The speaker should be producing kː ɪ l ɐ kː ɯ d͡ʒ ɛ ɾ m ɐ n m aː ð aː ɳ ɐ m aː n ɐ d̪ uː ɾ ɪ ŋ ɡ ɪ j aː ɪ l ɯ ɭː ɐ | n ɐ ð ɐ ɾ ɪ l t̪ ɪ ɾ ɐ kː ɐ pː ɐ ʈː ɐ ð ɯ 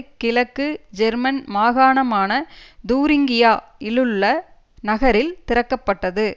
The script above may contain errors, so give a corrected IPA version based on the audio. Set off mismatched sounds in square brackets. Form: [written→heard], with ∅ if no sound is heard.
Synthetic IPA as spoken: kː ɪ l ɐ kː ɯ d͡ʒ ɛ ɾ m ɐ n m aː [ð→ɣ] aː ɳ ɐ m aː n ɐ d̪ uː ɾ ɪ ŋ ɡ ɪ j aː ɪ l ɯ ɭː ɐ | n ɐ [ð→ɣ] ɐ ɾ ɪ l t̪ ɪ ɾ ɐ kː ɐ pː ɐ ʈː ɐ ð ɯ